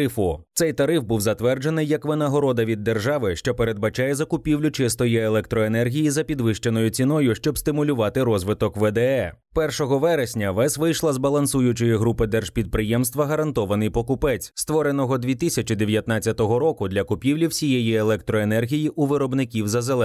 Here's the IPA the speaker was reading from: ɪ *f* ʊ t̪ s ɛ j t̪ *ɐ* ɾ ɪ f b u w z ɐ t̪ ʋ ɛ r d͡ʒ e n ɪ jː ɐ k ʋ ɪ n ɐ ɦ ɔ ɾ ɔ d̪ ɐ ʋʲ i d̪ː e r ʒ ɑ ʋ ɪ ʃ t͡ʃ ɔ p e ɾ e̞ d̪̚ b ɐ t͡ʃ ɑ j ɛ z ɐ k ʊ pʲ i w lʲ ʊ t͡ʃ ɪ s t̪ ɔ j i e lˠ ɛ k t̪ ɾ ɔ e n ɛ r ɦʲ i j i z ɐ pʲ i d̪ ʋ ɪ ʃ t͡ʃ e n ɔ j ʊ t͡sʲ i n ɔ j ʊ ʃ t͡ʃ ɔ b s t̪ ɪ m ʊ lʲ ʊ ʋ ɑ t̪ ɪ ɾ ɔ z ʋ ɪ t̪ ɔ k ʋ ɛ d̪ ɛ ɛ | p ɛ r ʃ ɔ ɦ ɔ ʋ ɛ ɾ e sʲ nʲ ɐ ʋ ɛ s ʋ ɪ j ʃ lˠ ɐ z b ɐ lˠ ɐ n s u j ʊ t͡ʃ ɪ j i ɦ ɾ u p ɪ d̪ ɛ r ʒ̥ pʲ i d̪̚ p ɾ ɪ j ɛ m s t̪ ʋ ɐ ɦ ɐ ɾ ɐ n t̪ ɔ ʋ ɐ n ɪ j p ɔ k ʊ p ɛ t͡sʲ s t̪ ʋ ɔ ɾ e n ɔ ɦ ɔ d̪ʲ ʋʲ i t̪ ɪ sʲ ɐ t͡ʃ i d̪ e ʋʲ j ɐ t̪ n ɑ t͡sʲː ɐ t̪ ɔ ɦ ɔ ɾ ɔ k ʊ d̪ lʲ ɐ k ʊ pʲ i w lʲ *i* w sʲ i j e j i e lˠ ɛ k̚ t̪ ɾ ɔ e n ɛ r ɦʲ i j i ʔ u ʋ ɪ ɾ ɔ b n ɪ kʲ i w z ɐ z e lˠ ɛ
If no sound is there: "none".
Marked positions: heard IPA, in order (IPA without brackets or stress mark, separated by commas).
f, ɐ, i